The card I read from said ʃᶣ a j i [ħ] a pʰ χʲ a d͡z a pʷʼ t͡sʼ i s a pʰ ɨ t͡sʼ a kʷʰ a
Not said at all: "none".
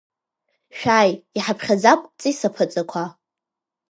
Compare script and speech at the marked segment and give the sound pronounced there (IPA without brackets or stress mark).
ħ